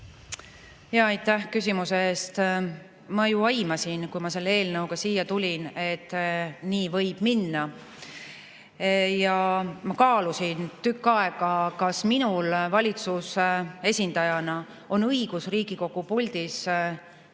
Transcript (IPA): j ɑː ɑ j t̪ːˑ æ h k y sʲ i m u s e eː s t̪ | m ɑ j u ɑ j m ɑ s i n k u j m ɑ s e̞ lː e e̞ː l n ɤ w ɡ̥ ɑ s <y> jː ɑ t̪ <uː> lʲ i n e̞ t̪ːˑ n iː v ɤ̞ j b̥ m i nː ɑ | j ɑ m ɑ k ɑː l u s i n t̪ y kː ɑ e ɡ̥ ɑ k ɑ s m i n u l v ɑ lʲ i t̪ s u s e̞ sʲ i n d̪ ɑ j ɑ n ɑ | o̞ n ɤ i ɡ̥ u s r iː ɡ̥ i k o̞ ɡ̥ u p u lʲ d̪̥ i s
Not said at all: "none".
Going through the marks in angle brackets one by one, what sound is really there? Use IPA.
i, u

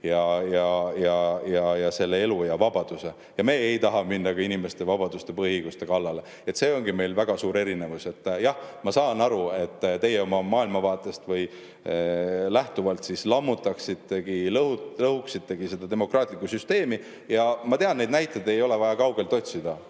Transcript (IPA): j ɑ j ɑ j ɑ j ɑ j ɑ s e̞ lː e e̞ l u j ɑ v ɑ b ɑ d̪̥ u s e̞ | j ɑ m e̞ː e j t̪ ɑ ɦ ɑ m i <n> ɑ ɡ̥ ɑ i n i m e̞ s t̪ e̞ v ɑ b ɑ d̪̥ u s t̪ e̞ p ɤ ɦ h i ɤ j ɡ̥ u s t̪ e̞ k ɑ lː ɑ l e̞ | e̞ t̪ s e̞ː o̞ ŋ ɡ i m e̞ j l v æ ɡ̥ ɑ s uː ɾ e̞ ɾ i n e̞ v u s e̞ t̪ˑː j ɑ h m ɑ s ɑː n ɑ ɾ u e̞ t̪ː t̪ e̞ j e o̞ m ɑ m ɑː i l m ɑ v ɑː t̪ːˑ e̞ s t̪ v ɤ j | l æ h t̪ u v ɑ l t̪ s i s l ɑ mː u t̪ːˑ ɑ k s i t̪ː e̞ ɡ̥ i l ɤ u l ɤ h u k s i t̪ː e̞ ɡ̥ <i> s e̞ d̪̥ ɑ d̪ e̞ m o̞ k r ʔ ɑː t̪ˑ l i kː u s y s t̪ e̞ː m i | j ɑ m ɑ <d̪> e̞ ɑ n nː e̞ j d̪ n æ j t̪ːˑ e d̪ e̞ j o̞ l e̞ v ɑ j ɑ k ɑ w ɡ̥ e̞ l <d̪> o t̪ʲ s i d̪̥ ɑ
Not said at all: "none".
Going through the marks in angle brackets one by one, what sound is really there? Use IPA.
nː, i, t̪, t̪

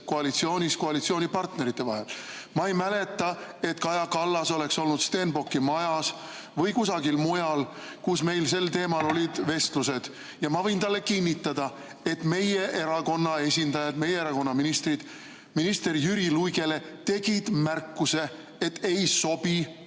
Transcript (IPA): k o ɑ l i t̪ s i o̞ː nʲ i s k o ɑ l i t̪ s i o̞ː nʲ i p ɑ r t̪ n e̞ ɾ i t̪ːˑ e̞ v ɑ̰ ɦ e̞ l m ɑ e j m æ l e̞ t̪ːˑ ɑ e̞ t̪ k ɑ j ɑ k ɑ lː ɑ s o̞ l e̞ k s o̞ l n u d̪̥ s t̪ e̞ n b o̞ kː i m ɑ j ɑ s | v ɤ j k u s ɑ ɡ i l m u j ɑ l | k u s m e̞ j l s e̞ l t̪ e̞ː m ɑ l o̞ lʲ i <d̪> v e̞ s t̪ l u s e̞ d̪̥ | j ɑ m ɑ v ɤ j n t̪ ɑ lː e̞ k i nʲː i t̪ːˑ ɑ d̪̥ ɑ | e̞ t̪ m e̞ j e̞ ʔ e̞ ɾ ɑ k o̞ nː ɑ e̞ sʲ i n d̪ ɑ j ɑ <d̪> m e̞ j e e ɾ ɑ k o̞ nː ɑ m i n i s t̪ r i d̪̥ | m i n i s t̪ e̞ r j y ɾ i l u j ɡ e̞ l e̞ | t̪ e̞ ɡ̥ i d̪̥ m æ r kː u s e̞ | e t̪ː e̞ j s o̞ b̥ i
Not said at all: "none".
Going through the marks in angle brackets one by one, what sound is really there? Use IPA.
d̪, d̪

